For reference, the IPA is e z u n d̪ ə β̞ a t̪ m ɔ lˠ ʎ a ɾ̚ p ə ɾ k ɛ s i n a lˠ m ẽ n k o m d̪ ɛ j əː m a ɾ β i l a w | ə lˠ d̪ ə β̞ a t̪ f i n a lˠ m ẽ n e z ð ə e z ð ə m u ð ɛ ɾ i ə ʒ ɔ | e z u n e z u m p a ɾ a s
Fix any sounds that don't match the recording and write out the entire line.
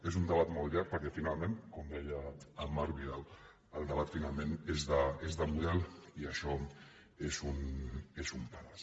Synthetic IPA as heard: e z u n d̪ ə β̞ a t̪ m ɔ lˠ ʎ a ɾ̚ p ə ɾ k ɛ f i n a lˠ m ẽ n k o m d̪ ɛ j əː m a ɾ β i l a w | ə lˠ d̪ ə β̞ a t̪ f i n a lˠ m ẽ n e z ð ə e z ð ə m u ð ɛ l i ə ʃ ɔ | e z u n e z u m p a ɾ a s